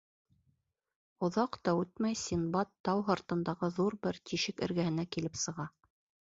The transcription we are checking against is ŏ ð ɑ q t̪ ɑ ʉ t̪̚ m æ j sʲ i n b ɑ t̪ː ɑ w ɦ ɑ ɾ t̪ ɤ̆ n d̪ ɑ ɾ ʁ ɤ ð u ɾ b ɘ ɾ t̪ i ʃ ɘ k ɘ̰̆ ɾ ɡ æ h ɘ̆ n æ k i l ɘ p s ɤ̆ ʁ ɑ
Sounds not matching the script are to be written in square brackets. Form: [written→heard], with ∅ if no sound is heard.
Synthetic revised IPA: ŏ ð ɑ q t̪ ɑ ʉ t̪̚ m æ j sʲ i n b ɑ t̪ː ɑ w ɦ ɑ ɾ t̪ ɤ̆ n d̪ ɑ [ɾ→∅] ʁ ɤ ð u ɾ b ɘ ɾ t̪ i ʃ ɘ k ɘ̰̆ ɾ ɡ æ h ɘ̆ n æ k i l ɘ p s ɤ̆ ʁ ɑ